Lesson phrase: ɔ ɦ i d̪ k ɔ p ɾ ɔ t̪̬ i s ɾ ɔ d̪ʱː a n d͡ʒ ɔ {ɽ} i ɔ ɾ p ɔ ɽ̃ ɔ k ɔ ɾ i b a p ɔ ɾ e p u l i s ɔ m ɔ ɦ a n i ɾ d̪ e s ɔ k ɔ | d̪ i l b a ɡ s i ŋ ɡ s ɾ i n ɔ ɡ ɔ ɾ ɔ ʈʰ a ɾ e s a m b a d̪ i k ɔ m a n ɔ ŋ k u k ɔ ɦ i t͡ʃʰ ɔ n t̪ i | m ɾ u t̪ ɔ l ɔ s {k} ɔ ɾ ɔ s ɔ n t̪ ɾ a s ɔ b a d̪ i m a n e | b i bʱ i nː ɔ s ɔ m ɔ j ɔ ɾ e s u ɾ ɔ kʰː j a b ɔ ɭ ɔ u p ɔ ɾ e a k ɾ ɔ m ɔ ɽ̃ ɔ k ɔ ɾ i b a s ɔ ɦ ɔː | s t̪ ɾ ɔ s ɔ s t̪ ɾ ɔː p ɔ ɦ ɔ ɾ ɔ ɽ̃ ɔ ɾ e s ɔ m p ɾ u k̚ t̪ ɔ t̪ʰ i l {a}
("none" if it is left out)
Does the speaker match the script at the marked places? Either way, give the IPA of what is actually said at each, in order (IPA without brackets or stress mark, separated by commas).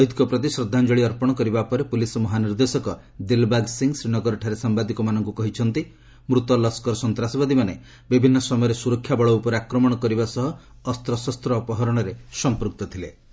ɭ, k, e